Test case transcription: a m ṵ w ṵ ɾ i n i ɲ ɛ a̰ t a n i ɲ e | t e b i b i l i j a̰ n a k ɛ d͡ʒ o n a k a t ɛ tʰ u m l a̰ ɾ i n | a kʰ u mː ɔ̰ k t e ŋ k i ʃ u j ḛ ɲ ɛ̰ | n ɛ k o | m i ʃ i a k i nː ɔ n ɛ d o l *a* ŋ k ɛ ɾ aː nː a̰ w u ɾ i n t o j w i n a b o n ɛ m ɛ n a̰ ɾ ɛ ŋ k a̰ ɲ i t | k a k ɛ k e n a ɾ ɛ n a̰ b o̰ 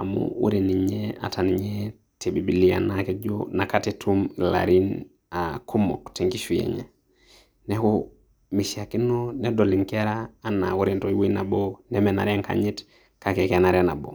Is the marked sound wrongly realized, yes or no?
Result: yes